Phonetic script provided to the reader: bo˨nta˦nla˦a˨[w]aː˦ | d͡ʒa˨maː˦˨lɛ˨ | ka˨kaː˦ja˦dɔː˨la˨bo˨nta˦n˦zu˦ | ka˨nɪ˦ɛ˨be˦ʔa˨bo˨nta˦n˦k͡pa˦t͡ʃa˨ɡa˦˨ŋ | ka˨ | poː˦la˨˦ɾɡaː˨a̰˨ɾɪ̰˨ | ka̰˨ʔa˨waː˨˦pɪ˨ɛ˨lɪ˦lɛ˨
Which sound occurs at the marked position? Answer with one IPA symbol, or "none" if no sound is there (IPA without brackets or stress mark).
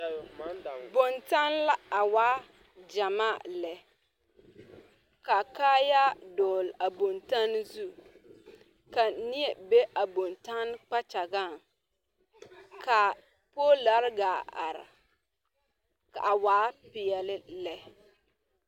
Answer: w